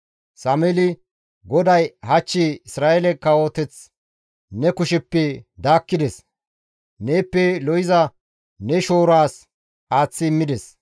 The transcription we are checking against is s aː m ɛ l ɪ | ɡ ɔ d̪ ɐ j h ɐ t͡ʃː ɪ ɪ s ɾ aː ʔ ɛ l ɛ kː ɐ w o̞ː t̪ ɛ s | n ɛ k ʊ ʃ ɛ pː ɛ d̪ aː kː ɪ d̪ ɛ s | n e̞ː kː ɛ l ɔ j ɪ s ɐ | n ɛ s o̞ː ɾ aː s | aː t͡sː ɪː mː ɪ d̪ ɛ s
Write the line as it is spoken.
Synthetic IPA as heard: s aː m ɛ l ɪ | ɡ ɔ d̪ ɐ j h ɐ t͡ʃː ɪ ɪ s ɾ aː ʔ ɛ l ɛ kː ɐ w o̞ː t̪ ɛ t͡s | n ɛ k ʊ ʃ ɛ pː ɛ d̪ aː kː ɪ d̪ ɛ s | n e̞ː pː ɛ l ɔ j ɪ z ɐ | n ɛ ʃ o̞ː ɾ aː s | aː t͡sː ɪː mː ɪ d̪ ɛ s